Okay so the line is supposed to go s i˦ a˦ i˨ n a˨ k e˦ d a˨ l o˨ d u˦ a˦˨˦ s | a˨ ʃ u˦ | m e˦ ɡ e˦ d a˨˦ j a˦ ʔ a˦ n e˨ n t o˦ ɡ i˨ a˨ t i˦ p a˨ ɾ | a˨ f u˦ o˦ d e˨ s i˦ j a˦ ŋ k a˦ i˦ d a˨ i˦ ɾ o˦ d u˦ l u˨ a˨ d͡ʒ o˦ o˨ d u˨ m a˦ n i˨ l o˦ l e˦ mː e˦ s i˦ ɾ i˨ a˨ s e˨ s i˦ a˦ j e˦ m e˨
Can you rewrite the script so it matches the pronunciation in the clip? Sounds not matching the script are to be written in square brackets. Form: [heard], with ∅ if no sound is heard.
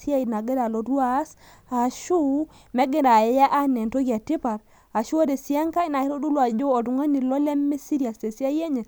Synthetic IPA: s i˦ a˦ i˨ n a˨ [ɡ] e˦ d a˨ l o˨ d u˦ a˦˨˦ s | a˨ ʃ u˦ | m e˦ ɡ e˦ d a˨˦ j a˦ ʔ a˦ n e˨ n t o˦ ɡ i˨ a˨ t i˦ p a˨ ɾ | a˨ [ʃ] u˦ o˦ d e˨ s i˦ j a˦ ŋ k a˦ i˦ [n] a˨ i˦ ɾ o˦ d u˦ l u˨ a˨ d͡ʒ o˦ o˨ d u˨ [ŋ] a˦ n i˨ l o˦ l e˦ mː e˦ s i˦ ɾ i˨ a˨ s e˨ s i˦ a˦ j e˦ [ɲ] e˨

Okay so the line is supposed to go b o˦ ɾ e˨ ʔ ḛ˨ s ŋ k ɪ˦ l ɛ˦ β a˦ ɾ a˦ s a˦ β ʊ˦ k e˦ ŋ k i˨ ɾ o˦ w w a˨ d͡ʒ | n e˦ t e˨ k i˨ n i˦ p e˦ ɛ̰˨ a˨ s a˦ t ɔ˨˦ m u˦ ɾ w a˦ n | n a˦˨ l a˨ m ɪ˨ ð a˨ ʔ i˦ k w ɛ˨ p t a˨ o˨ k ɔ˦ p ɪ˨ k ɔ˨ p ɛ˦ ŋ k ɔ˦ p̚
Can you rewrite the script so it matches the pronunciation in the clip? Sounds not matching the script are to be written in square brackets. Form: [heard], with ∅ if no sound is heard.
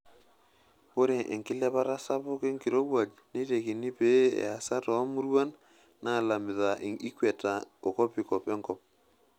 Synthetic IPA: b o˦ ɾ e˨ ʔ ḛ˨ [∅] ŋ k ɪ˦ l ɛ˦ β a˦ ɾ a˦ s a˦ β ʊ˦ k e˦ ŋ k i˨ ɾ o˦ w w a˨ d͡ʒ | n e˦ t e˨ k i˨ n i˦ p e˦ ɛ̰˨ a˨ s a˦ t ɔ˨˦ m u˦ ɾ w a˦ n | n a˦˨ l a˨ m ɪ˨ ð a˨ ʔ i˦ k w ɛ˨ [∅] t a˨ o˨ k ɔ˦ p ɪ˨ k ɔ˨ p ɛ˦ ŋ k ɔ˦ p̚

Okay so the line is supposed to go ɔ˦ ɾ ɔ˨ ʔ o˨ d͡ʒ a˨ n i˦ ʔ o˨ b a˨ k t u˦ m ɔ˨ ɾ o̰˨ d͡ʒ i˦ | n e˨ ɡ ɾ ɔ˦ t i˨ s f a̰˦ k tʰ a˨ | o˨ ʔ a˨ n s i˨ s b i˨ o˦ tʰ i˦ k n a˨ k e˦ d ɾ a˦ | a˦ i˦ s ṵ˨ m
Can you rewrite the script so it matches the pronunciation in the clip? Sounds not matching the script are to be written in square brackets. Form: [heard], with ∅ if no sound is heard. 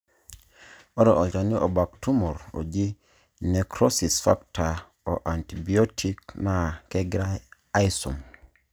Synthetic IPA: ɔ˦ ɾ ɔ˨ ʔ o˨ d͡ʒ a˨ n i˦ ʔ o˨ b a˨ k t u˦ m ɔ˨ ɾ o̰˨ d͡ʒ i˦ | n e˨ [k] ɾ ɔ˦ [s] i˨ s f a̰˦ k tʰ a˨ | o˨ ʔ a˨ n [t] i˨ [∅] b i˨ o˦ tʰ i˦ k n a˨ k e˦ [ɡ] ɾ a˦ | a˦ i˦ s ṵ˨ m

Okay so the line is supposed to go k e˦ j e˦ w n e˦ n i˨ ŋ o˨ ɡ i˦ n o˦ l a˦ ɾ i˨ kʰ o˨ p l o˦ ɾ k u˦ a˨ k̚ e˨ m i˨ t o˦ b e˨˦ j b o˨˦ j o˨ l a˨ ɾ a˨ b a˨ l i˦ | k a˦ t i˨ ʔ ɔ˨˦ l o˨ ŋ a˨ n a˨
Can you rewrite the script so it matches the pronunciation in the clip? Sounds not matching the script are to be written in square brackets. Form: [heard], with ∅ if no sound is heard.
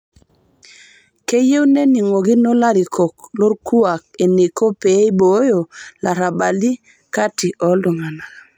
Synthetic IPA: k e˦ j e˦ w n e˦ n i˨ ŋ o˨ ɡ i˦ n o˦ l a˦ ɾ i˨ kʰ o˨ [k] l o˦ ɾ k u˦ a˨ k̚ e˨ [n] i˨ [k] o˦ [p] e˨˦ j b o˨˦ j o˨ l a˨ ɾ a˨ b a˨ l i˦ | k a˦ t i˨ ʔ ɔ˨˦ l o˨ ŋ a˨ n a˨

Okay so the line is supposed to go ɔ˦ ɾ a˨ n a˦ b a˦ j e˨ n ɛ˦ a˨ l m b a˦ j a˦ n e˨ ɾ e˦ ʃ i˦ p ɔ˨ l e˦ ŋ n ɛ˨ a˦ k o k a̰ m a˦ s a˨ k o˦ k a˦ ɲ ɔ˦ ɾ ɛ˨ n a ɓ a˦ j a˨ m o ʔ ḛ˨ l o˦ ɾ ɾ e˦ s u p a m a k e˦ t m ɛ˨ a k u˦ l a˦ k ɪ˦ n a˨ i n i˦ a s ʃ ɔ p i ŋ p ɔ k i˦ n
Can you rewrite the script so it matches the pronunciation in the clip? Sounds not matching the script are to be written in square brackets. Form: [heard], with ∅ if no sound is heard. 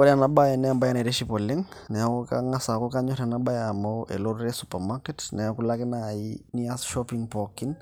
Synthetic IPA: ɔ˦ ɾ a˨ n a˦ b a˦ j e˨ n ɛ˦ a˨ [∅] m b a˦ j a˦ n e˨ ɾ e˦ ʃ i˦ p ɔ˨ l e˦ ŋ n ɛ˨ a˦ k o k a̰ [ŋ] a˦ s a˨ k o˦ k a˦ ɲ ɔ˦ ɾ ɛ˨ n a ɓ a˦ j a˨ m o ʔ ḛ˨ l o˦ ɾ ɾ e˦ s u p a m a k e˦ t [n] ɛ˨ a k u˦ l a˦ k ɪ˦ n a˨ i n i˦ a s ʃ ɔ p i ŋ p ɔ k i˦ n

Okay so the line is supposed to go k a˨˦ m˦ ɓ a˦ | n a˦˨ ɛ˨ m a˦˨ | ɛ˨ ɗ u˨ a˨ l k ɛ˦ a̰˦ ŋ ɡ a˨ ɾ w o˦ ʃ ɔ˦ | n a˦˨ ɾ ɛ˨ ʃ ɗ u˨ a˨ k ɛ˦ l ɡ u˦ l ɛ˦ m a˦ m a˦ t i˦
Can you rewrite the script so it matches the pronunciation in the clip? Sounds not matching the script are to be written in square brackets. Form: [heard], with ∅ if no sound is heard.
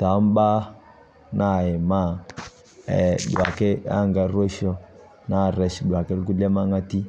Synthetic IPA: [t] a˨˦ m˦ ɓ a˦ | n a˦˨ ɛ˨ m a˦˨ | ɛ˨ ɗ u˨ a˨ [∅] k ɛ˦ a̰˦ ŋ ɡ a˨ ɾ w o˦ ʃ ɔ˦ | n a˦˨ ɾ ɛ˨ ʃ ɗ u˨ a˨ k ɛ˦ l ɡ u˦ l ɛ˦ m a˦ [ŋ] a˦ t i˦

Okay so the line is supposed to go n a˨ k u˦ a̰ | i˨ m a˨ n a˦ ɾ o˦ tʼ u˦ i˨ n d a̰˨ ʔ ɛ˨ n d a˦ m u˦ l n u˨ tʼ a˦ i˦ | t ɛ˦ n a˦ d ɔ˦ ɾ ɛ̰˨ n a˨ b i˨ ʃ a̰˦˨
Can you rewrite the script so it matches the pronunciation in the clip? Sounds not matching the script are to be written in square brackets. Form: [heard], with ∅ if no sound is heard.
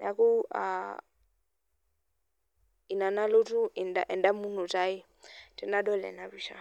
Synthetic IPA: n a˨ k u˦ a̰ | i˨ [n] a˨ n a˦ [l] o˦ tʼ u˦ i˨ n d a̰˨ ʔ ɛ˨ n d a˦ m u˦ [∅] n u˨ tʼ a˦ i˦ | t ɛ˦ n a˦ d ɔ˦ [l] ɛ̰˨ n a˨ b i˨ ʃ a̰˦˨

